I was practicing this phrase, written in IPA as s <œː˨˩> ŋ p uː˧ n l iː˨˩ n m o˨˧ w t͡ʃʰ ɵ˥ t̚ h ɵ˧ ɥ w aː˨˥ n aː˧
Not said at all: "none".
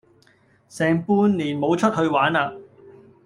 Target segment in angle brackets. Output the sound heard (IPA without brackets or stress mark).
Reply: ɛː˨˩